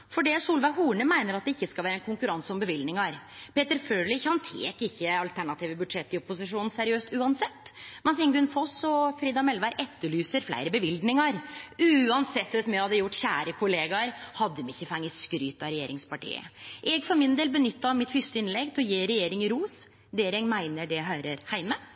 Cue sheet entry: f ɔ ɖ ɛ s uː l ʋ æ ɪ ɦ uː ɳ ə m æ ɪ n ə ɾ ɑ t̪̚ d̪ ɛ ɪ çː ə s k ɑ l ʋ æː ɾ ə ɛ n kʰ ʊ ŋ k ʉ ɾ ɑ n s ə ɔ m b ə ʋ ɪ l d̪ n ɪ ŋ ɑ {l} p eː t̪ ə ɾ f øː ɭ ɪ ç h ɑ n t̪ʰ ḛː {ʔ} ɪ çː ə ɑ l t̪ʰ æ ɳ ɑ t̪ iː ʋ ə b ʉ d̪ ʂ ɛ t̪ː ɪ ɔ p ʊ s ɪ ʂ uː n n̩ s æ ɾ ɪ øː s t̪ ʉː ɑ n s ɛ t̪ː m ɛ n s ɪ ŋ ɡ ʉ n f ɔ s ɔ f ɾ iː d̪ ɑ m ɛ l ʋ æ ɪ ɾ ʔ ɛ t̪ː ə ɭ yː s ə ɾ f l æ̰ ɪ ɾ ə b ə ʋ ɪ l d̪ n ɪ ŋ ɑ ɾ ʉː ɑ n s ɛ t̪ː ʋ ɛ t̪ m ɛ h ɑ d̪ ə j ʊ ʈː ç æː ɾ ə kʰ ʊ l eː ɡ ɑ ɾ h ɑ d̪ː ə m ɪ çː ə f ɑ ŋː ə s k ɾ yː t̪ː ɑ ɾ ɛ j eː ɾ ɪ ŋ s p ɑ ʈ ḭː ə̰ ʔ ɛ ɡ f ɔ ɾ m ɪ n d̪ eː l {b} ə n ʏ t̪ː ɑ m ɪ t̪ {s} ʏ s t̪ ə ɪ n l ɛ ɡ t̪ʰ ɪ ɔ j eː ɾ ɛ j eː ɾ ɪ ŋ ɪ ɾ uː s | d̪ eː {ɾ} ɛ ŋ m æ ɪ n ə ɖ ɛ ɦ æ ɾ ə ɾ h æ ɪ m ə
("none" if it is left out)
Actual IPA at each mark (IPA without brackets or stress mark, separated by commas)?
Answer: ɾ, k, b, f, ɾ